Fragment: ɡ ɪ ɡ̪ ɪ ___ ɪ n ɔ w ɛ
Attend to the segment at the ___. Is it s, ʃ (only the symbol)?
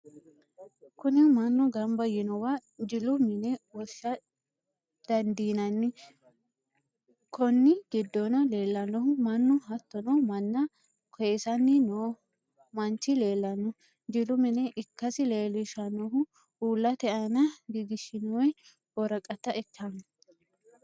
ʃ